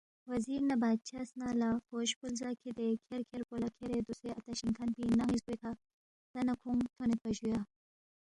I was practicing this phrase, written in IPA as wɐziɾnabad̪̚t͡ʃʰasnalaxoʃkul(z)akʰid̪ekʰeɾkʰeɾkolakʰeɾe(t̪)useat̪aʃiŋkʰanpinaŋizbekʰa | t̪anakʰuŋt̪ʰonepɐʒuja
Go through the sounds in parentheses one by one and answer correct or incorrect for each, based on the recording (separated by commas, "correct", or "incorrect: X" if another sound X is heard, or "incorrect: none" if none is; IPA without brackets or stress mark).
correct, incorrect: d̪